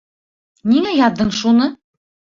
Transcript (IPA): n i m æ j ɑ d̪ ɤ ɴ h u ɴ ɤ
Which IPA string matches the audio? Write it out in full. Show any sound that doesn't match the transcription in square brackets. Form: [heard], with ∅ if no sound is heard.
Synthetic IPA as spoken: n i [ŋ] æ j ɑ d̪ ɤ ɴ [ʃ] u [n] ɤ